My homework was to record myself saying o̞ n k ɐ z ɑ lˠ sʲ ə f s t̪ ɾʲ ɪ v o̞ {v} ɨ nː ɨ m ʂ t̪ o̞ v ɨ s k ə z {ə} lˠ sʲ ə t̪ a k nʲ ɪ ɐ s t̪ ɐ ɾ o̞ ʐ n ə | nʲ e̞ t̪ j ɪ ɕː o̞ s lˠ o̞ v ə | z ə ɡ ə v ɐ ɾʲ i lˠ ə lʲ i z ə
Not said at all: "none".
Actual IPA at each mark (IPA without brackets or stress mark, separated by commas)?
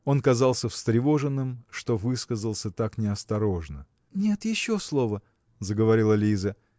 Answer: ʐ, ə